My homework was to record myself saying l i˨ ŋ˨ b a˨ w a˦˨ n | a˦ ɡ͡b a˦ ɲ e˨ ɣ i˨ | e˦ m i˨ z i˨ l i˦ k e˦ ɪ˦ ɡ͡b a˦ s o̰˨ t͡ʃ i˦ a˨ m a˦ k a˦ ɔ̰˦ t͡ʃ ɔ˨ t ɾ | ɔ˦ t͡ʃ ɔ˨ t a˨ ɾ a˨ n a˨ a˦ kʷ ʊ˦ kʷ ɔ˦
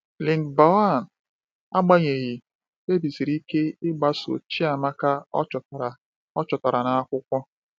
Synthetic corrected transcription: l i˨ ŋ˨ b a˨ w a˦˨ n | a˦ ɡ͡b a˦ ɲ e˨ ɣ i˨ | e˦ b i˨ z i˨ ɾ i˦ k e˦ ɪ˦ ɡ͡b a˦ s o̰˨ t͡ʃ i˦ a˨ m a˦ k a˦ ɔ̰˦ t͡ʃ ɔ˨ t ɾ | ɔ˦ t͡ʃ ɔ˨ t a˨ ɾ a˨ n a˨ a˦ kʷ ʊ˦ kʷ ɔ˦